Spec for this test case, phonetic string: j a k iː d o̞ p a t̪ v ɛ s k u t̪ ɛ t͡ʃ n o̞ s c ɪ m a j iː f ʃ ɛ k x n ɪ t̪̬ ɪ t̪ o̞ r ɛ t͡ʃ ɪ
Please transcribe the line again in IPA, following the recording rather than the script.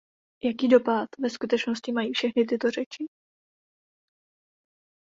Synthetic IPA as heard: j a k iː d o̞ p a t̪ v ɛ s k u t̪ ɛ t͡ʃ n o̞ s c ɪ m a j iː f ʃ ɛ x n ɪ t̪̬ ɪ t̪ o̞ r ɛ t͡ʃ ɪ

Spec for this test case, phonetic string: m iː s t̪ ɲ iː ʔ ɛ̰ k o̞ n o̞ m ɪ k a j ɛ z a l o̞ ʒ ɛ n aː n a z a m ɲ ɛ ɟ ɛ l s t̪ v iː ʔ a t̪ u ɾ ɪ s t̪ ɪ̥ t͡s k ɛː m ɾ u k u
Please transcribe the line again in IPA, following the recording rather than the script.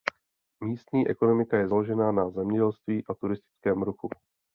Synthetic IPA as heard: m iː s t̪ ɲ iː ʔ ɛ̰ k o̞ n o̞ m ɪ k a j ɛ z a l o̞ ʒ ɛ n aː n a z ɛ m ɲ ɛ ɟ ɛ l s t̪ v iː ʔ a t̪ u ɾ ɪ s t̪ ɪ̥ t͡s k ɛː m ɾ u x u

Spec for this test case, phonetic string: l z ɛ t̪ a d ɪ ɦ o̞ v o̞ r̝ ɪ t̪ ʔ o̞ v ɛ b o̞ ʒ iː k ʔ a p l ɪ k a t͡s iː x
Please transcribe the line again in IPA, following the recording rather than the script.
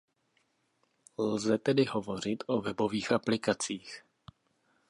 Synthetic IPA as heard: l z ɛ t̪ ɛ d ɪ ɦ o̞ v o̞ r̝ ɪ t̪ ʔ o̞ v ɛ b o̞ v iː x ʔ a p l ɪ k a t͡s iː x

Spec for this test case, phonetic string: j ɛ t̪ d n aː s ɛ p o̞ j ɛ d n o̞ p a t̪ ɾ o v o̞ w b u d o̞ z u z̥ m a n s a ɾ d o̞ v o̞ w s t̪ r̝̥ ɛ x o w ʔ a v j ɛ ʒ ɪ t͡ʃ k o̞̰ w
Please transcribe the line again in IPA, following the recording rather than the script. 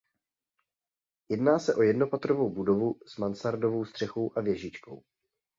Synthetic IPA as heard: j ɛ d n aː s ɛ ʔ o̞ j ɛ d n o̞ p a t̪ ɾ o v o̞ w b u d o̞ v u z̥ m a n s a ɾ d o̞ v o̞ w s t̪ r̝̥ ɛ x o w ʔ a v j ɛ ʒ ɪ t͡ʃ k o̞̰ w

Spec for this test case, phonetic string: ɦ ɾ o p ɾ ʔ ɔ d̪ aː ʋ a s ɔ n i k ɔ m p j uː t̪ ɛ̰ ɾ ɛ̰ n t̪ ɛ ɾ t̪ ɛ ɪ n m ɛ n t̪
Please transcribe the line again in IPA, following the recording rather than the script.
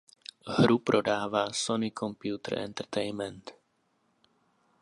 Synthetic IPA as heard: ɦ ɾ u p ɾ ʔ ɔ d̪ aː ʋ a s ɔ n i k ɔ m p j uː t̪ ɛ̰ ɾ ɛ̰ n t̪ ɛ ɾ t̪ ɛ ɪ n m ɛ n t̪

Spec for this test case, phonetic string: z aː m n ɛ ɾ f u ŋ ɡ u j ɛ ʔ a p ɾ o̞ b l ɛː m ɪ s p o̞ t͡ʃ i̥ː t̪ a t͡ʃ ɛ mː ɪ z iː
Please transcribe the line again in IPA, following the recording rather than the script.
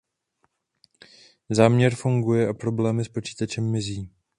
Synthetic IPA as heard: z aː m ɲ ɛ ɾ f u ŋ ɡ u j ɛ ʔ a p ɾ o̞ b l ɛː m ɪ s p o̞ t͡ʃ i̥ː t̪ a t͡ʃ ɛ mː ɪ z iː

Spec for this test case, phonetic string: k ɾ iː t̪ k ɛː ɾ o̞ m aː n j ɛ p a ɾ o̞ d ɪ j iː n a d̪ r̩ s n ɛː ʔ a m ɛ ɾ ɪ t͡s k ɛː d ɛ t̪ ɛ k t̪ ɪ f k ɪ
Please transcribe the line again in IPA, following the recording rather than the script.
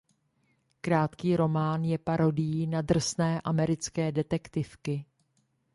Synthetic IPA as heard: k ɾ aː t̪ k iː ɾ o̞ m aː n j ɛ p a ɾ o̞ d ɪ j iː n a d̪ r̩ s n ɛː ʔ a m ɛ ɾ ɪ t͡s k ɛː d ɛ t̪ ɛ k t̪ ɪ f k ɪ

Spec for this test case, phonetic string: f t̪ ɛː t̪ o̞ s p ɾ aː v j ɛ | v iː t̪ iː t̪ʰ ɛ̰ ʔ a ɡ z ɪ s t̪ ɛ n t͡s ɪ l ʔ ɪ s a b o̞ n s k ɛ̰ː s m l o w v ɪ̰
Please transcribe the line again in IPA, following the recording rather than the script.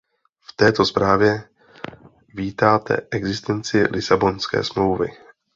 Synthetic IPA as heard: f t̪ ɛː t̪ o̞ s p ɾ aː v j ɛ | v iː t̪ aː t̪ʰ ɛ̰ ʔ ɛ ɡ z ɪ s t̪ ɛ n t͡s ɪ l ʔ ɪ s a b o̞ n s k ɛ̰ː s m l o w v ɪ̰

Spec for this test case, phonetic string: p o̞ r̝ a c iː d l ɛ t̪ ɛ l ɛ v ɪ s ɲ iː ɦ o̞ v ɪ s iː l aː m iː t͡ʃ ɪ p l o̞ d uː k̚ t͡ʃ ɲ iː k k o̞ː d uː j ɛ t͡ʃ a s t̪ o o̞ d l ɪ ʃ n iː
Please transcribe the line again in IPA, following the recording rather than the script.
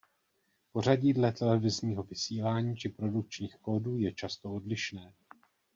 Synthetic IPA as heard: p o̞ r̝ a ɟ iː d l ɛ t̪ ɛ l ɛ v ɪ z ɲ iː ɦ o̞ v ɪ s iː l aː ɲ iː t͡ʃ ɪ p ɾ o̞ d u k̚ t͡ʃ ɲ iː x k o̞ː d uː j ɛ t͡ʃ a s t̪ o o̞ d l ɪ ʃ n ɛː

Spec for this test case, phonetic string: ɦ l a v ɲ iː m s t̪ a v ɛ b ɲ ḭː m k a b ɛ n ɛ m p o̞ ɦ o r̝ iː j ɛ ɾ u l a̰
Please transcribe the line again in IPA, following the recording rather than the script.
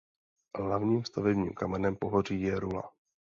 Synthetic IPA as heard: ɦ l a v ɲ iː m s t̪ a v ɛ b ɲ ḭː m k a m ɛ n ɛ m p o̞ ɦ o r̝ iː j ɛ ɾ u l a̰

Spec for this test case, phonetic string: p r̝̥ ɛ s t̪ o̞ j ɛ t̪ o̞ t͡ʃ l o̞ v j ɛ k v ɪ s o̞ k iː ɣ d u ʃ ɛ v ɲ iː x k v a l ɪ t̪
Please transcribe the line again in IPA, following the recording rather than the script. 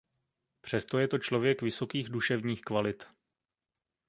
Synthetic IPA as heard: p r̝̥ ɛ s t̪ o̞ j ɛ t̪ o̞ t͡ʃ l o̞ v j ɛ k v ɪ s o̞ k iː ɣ d u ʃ ɛ v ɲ iː x k v a l ɪ t̪

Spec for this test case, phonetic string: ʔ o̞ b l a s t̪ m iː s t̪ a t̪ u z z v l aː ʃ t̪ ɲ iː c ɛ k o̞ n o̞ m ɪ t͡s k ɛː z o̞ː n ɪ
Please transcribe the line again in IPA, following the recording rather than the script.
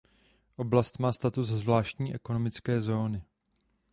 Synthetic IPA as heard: ʔ o̞ b l a s t̪ m aː s t̪ a t̪ u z z v l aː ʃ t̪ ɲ iː ʔ ɛ k o̞ n o̞ m ɪ t͡s k ɛː z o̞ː n ɪ

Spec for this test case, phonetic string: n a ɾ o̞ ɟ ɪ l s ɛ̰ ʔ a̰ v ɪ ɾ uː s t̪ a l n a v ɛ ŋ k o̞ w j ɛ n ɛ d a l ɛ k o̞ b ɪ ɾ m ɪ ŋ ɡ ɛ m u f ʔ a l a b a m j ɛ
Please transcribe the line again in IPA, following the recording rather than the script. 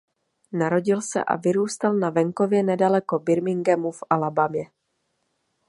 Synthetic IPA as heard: n a ɾ o̞ ɟ ɪ l s ɛ̰ ʔ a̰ v ɪ ɾ uː s t̪ a l n a v ɛ ŋ k o̞ v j ɛ n ɛ d a l ɛ k o̞ b ɪ ɾ m ɪ ŋ ɡ ɛ m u f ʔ a l a b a m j ɛ

